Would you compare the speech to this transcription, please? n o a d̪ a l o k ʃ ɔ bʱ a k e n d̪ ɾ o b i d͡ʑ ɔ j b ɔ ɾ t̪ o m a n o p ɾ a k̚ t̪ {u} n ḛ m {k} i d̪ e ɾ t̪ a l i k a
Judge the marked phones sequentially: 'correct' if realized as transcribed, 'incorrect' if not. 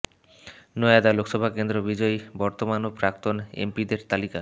incorrect: o, incorrect: p

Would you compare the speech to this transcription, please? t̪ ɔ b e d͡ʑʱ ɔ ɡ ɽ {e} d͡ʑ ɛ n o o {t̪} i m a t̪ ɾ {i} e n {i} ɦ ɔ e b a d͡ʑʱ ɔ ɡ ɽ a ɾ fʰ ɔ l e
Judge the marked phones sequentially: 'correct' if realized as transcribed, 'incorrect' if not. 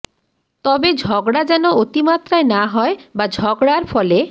incorrect: a, correct, incorrect: a, incorrect: a

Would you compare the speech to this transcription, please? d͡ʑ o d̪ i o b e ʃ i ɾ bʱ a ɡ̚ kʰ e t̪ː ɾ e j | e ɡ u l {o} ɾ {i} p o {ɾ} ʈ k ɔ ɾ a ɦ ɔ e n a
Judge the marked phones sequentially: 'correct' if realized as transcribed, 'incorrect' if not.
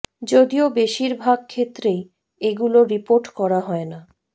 correct, correct, correct

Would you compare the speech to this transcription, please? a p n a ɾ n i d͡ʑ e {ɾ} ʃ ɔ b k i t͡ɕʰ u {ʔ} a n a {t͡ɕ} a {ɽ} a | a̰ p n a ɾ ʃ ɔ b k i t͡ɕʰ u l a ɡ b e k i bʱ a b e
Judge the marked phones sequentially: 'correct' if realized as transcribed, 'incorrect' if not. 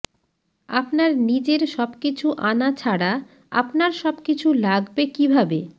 correct, correct, incorrect: t͡ɕʰ, correct

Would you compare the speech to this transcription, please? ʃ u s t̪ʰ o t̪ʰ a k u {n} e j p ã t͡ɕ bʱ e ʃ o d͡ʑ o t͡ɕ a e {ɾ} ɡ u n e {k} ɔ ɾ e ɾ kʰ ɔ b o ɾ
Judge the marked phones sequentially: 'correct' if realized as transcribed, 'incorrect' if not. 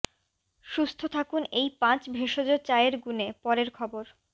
correct, correct, incorrect: p

